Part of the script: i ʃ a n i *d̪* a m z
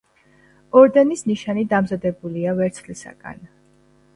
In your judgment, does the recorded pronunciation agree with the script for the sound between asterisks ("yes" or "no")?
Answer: yes